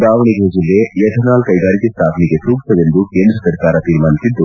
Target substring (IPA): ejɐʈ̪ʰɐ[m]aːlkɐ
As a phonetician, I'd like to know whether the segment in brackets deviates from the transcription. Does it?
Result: yes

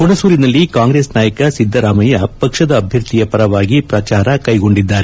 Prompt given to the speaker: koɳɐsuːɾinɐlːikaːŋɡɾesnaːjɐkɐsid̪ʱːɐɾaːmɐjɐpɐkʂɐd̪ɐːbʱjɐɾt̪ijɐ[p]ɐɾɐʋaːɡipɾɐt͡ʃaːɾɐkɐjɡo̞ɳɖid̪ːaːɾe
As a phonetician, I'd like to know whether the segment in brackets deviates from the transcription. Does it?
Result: no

